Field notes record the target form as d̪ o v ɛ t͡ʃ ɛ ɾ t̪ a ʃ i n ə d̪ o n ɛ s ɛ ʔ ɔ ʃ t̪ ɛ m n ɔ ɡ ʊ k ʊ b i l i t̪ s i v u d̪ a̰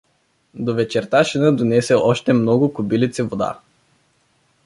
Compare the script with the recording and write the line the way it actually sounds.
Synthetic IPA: d̪ o v ɛ t͡ʃ ɛ ɾ t̪ a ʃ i n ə d̪ o n ɛ s ɛ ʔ ɔ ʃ t̪ ɛ m n ɔ ɡ ʊ k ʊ b i l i t̪ s i v o d̪ a̰